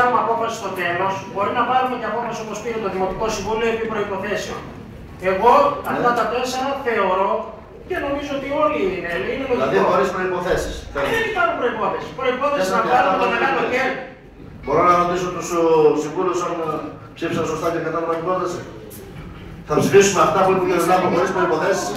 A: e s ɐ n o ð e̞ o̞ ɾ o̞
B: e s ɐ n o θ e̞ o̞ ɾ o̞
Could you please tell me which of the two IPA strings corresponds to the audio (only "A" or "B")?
B